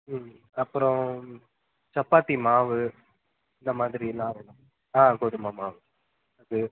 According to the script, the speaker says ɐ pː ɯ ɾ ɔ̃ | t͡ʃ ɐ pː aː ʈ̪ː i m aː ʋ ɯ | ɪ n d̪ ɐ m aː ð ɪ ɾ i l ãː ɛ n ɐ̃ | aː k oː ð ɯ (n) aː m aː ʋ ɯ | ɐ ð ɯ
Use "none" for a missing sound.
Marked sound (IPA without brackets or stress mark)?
m